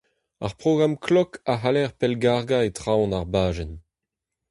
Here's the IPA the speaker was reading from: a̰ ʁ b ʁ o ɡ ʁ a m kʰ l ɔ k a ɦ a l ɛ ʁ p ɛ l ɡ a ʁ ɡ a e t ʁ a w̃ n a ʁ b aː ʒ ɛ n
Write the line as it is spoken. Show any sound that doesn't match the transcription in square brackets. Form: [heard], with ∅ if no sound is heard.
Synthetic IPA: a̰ ʁ [p] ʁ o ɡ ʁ a m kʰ l ɔ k a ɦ a l ɛ ʁ p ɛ l ɡ a ʁ ɡ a e t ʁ a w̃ n a ʁ b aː ʒ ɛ n